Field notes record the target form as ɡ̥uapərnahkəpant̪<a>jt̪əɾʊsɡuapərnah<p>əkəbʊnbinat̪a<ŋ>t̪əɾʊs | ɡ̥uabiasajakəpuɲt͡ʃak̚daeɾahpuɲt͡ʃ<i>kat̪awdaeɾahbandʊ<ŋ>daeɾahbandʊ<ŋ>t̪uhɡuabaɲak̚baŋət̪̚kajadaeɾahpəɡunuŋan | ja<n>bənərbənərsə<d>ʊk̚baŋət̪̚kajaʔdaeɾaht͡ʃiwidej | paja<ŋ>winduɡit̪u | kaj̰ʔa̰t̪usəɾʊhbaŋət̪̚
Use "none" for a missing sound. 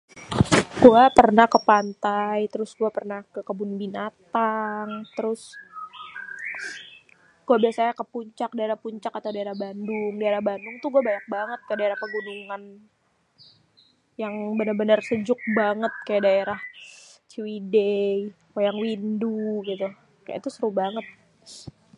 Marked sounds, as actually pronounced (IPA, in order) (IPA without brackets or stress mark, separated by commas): a, k, ŋ, a, ŋ, ŋ, ŋ, d͡ʒ, ŋ